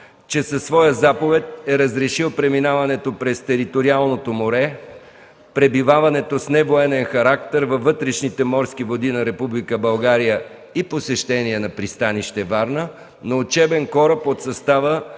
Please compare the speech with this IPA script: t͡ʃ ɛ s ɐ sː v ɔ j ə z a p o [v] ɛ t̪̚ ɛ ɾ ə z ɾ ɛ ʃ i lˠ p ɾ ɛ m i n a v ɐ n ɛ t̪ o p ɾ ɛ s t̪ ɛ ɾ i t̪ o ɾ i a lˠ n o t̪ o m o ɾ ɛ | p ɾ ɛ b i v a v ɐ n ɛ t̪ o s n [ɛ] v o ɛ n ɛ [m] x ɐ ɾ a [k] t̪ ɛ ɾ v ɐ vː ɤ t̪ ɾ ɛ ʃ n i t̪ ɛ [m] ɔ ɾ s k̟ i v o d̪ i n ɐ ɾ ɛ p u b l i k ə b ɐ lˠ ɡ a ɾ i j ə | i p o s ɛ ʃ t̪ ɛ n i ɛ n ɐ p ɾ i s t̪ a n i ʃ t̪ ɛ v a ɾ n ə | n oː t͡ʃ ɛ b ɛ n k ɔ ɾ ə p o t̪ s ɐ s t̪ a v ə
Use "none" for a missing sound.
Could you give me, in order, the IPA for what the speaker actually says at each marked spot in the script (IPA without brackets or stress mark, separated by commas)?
v, ɛ, n, k, m